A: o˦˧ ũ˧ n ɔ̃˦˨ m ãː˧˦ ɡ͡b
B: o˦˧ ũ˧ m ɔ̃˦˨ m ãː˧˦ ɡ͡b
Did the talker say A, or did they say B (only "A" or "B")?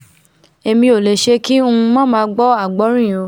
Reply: B